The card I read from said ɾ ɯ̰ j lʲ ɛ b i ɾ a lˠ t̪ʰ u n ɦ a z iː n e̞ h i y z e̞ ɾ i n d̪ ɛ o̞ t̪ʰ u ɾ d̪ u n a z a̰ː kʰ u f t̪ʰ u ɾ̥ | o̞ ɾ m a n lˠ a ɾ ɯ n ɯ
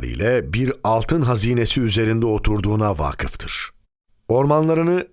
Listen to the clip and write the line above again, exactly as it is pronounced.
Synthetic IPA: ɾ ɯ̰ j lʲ ɛ b i ɾ a lˠ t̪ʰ ɯ n ɦ a z iː n e̞ s i y z e̞ ɾ i n d̪ ɛ o̞ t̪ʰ u ɾ d̪ uː n a v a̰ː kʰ ɯ f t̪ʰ ɯ ɾ̥ | o̞ ɾ m a n lˠ a ɾ ɯ n ɯ